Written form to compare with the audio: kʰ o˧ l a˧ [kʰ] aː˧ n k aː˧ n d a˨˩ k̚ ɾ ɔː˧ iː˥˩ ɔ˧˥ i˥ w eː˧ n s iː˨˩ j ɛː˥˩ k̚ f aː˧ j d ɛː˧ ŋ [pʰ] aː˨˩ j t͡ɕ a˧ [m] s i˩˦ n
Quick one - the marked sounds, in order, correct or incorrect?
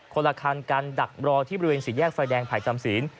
correct, correct, correct

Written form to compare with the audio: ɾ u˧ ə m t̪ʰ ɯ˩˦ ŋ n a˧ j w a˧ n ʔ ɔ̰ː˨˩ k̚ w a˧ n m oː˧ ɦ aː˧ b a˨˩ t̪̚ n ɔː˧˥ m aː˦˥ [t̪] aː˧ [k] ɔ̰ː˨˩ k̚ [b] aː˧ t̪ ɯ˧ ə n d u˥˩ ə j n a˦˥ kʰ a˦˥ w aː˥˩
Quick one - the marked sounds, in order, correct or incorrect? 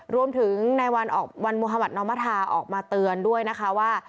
incorrect, incorrect, incorrect

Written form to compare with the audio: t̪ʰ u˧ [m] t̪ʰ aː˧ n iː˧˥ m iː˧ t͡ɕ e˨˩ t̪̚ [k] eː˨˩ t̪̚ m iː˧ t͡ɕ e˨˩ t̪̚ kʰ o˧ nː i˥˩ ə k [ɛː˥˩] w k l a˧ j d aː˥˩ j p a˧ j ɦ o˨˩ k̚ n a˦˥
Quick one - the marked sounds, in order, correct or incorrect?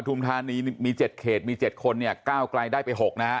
correct, incorrect, incorrect

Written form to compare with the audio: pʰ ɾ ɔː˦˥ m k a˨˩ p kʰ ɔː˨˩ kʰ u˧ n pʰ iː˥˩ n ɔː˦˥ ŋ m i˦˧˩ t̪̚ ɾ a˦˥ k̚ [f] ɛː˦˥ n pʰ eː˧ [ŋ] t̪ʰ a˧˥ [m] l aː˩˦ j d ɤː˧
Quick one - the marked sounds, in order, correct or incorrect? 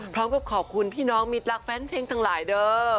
correct, correct, incorrect

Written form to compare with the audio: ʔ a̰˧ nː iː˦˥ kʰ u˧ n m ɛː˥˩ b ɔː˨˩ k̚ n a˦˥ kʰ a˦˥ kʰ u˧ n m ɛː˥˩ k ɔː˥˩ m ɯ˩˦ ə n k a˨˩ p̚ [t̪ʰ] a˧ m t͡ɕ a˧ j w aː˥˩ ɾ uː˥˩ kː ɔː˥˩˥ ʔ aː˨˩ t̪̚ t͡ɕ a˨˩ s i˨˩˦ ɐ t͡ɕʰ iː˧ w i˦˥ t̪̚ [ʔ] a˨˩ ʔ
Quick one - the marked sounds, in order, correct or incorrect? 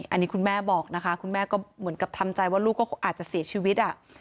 correct, correct

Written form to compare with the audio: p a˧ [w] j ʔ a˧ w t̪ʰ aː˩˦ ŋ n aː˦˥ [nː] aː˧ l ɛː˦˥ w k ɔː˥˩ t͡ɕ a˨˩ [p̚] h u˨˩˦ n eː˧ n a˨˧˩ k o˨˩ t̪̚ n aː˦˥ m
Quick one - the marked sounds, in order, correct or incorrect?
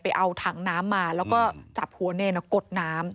incorrect, incorrect, correct

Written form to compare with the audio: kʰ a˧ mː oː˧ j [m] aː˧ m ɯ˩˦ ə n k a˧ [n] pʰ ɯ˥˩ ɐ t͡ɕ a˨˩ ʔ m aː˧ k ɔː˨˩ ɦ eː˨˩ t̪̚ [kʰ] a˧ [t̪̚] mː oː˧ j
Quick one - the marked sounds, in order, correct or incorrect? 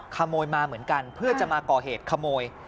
correct, correct, correct, incorrect

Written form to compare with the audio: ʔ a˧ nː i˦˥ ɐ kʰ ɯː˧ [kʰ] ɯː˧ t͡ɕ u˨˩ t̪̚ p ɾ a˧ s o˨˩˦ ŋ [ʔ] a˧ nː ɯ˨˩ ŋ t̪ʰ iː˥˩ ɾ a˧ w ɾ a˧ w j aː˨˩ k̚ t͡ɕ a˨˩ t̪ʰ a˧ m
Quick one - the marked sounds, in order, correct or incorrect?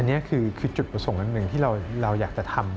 correct, correct

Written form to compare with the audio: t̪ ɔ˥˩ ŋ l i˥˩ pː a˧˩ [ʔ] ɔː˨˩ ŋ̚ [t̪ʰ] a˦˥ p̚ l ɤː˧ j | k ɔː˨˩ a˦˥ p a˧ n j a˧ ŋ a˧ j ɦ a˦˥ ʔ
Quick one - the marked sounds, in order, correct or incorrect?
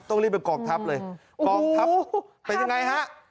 incorrect, correct

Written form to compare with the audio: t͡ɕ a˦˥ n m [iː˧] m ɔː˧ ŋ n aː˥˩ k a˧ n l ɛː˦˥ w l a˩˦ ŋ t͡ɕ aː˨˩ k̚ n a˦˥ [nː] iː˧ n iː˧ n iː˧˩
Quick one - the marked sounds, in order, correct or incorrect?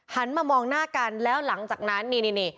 incorrect, correct

